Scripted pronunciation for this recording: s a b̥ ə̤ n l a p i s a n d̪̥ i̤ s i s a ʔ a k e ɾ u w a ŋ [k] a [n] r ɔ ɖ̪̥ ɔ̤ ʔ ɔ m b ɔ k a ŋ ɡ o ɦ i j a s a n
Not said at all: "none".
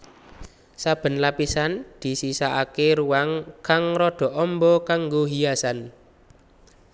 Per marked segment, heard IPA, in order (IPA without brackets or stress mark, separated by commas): k, ŋ